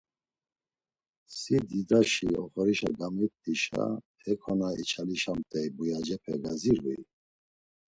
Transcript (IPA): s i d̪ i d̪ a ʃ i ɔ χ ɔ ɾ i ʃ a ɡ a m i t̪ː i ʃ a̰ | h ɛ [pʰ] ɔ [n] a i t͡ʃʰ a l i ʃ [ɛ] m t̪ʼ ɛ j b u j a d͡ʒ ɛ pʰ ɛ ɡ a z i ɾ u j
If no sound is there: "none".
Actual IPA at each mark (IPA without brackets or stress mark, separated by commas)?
kʰ, n, a